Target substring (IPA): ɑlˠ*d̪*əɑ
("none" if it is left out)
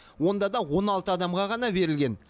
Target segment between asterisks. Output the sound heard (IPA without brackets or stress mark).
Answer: t̪